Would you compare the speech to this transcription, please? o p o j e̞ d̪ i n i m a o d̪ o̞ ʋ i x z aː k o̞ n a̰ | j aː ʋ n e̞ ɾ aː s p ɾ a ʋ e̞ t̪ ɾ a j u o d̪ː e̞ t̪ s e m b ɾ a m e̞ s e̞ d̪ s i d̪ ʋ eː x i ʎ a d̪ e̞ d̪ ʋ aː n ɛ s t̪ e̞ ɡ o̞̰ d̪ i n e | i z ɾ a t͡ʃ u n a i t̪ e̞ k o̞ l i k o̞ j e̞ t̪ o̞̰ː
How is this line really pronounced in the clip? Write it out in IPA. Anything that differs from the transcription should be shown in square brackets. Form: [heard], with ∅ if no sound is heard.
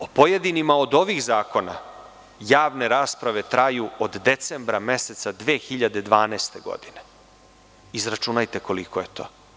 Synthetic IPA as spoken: o p o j e̞ d̪ i n i m a o d̪ o̞ ʋ i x z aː k o̞ n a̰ | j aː ʋ n e̞ ɾ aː s p ɾ a ʋ e̞ t̪ ɾ a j u o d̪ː e̞ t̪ s e m b ɾ a m e̞ s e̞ [t̪] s [a] d̪ ʋ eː x i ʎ a d̪ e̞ d̪ ʋ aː n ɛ s t̪ e̞ ɡ o̞̰ d̪ i n e | i z ɾ a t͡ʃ u n a [j] t̪ e̞ k o̞ l i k o̞ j e̞ t̪ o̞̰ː

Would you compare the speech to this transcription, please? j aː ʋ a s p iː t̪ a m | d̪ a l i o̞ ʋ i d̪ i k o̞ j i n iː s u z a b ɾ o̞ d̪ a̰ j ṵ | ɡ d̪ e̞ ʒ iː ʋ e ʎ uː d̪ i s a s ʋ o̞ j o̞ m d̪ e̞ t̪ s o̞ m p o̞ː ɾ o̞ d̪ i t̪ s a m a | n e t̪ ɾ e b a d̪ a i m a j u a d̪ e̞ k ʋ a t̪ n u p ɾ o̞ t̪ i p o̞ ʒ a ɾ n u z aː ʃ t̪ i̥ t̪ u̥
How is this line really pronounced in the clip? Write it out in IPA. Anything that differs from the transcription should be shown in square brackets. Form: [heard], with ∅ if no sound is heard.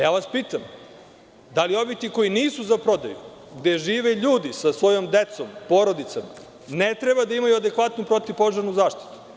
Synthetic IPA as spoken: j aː ʋ a s p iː t̪ a m | d̪ a l i o̞ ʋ i [t̪] i k o̞ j i n iː s u z a [p] ɾ o̞ d̪ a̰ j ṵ | ɡ d̪ e̞ ʒ iː ʋ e ʎ uː d̪ i s a s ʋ o̞ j o̞ m d̪ e̞ t̪ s o̞ m p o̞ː ɾ o̞ d̪ i t̪ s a m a | n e t̪ ɾ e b a d̪ a i m a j u a d̪ e̞ k ʋ a t̪ n u p ɾ o̞ t̪ i p o̞ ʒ a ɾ n u z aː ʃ t̪ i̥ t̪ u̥

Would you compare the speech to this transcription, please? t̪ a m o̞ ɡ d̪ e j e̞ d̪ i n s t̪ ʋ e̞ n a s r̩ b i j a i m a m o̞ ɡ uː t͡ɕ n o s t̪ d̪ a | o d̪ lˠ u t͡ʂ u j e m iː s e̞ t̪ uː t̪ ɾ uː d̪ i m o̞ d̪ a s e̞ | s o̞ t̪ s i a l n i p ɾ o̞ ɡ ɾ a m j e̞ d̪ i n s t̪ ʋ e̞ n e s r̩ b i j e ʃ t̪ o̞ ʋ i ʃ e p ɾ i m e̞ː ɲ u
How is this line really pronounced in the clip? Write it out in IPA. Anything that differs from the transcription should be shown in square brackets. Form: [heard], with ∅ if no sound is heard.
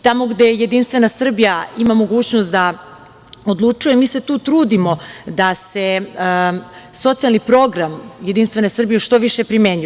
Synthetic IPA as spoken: t̪ a m o̞ ɡ d̪ e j e̞ d̪ i n s t̪ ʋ e̞ n a s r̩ b i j a i m a m o̞ ɡ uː t͡ɕ n o s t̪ d̪ a | o d̪ lˠ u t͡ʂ u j e m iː s e̞ t̪ uː t̪ ɾ uː d̪ i m o̞ d̪ a s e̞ | s o̞ t̪ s i a l n i p ɾ o̞ ɡ ɾ a m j e̞ d̪ i n s t̪ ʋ e̞ n e s r̩ b i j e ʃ t̪ o̞ ʋ i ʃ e p ɾ i m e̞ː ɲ u

